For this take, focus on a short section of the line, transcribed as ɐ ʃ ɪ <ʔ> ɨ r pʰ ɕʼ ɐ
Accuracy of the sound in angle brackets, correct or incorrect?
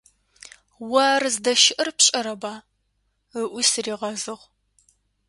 correct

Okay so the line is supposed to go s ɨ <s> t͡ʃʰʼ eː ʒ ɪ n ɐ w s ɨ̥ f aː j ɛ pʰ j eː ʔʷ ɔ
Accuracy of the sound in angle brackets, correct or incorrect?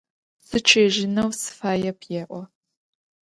incorrect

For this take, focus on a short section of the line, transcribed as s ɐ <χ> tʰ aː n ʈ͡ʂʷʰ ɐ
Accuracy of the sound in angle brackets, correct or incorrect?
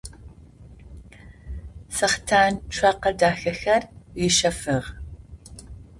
correct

